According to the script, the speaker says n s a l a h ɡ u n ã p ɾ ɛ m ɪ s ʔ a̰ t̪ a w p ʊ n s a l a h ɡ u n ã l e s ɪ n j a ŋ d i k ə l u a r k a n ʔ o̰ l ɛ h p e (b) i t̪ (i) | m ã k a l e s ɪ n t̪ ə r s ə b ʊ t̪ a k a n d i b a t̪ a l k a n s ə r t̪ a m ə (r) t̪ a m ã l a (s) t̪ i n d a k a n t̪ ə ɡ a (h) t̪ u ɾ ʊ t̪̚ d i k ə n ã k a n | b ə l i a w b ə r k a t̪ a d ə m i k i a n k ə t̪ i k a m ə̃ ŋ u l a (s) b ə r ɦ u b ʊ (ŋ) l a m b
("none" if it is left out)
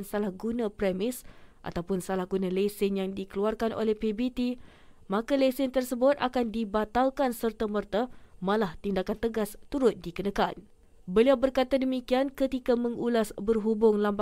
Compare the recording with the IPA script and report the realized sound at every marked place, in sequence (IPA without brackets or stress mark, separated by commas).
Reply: b, i, r, h, s, s, ŋ